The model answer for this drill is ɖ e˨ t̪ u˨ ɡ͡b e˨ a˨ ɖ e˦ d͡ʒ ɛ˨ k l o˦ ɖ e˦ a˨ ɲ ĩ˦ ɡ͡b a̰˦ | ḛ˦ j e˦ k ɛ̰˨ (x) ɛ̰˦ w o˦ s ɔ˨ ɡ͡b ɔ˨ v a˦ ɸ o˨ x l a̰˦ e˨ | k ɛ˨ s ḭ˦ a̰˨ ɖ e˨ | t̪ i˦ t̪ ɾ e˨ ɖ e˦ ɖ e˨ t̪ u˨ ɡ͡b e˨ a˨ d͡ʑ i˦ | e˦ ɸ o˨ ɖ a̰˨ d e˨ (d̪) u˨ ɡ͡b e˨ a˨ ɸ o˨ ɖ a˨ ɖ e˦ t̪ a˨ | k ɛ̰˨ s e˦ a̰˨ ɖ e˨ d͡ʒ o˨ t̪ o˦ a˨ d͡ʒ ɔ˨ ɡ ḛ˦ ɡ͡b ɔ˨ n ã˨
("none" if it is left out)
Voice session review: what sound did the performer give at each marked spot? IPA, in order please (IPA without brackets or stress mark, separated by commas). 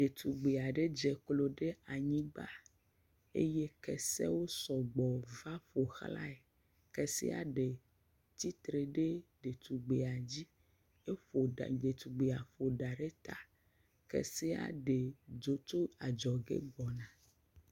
s, t̪